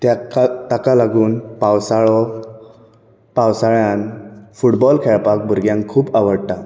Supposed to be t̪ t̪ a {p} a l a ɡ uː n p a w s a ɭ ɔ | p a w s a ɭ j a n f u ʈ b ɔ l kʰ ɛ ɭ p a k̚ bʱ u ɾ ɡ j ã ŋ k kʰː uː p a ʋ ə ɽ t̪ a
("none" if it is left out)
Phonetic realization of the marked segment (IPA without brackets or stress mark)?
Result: k